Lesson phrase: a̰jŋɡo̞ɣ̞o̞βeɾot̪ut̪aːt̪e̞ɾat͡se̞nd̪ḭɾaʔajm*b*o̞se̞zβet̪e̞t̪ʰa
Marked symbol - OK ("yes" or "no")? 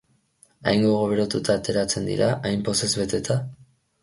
no